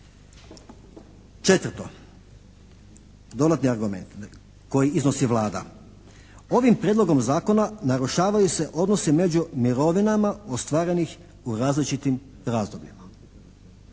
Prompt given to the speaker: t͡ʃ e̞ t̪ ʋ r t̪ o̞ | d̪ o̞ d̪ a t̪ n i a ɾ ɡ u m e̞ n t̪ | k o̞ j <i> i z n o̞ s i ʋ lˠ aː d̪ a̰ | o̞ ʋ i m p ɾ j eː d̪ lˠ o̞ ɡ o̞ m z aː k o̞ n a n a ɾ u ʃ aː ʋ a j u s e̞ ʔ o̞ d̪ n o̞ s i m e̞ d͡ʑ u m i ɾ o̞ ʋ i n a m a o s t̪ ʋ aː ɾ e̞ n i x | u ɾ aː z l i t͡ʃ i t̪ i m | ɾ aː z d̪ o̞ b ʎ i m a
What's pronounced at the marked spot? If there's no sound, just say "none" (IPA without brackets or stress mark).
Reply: i